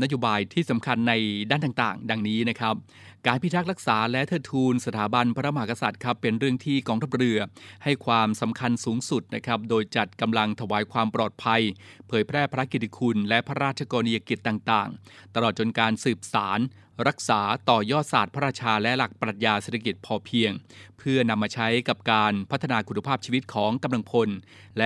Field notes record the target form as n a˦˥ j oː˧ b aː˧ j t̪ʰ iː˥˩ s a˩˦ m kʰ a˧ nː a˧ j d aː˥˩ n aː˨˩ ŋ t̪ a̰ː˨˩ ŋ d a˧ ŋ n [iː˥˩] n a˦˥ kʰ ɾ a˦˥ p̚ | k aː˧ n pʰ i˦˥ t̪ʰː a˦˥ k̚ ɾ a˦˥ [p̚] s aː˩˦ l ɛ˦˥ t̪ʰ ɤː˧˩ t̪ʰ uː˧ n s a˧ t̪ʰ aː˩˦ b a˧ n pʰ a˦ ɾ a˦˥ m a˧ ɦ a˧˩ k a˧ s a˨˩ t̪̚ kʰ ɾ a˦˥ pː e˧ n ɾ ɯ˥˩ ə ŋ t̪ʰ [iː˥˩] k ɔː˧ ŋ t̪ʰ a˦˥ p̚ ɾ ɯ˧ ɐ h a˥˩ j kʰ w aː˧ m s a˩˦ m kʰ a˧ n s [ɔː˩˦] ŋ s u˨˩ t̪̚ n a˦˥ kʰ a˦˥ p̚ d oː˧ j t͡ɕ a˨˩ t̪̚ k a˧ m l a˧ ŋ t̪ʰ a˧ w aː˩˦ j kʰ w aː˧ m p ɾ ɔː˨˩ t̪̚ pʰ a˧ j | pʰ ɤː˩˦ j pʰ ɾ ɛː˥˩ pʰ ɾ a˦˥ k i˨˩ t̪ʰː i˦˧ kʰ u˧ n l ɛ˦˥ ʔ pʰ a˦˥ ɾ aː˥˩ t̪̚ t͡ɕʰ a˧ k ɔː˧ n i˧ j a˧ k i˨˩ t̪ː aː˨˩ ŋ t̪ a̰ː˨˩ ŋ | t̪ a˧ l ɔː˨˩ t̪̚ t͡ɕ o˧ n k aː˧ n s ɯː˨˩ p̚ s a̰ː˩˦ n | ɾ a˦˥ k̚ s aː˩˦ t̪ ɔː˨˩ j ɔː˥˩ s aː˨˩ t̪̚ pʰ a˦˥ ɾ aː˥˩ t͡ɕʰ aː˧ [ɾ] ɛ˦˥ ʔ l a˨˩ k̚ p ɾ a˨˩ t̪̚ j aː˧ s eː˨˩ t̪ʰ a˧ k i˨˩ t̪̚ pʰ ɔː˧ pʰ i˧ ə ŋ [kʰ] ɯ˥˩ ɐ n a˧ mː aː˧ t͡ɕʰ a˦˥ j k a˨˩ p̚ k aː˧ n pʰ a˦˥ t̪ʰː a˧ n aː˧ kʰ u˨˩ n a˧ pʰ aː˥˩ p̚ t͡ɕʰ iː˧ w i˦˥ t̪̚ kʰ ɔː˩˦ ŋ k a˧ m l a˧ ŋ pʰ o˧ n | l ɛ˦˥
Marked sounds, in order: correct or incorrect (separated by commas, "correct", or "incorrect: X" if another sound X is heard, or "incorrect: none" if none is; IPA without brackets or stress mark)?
incorrect: iː˦˥, incorrect: k̚, correct, incorrect: uː˩˦, incorrect: l, incorrect: pʰ